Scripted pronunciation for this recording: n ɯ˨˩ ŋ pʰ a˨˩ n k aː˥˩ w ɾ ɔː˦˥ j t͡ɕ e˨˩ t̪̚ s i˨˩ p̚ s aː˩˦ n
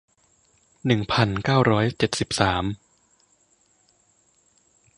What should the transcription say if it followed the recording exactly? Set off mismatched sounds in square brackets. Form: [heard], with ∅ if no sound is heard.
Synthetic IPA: n ɯ˨˩ ŋ pʰ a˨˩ n k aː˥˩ w ɾ ɔː˦˥ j t͡ɕ e˨˩ t̪̚ s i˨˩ p̚ s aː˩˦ [m]

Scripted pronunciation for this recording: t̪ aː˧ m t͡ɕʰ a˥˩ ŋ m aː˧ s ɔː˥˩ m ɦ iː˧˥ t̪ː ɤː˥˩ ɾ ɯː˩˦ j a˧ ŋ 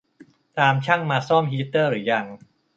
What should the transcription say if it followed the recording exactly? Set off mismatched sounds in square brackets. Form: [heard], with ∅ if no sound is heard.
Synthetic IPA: t̪ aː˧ m t͡ɕʰ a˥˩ ŋ m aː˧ s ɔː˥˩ m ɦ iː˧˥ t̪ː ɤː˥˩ ɾ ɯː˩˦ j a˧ ŋ

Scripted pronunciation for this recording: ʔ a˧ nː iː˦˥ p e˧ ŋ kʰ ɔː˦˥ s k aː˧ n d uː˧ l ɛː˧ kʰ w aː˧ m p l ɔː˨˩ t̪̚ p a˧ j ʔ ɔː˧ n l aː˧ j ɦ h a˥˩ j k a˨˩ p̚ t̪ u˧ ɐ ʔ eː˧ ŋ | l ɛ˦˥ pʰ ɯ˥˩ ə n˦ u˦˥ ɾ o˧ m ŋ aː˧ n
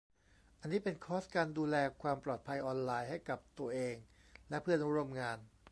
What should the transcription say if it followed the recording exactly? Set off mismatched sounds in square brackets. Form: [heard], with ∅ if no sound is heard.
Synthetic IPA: ʔ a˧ nː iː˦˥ p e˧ [n] kʰ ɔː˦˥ s k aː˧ n d uː˧ l ɛː˧ kʰ w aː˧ m p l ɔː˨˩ t̪̚ [pʰ] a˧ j ʔ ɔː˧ n l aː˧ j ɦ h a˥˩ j k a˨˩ p̚ t̪ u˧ ɐ ʔ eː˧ ŋ | l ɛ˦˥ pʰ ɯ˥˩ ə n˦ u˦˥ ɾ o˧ m ŋ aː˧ n

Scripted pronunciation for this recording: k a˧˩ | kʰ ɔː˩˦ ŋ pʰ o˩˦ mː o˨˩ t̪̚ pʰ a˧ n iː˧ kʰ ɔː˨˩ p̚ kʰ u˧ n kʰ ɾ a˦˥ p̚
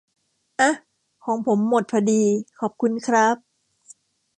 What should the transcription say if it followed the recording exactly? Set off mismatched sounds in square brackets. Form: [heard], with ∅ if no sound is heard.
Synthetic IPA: [ʔ] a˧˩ | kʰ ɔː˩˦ ŋ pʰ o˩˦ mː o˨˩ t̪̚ pʰ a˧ [d] iː˧ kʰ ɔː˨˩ p̚ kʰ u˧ n kʰ ɾ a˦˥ p̚

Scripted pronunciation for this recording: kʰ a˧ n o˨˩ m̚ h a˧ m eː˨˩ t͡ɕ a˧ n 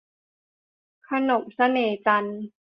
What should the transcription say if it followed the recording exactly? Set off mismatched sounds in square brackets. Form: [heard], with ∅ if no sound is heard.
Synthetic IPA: kʰ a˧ n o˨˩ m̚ [s] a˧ [n] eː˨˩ t͡ɕ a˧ n

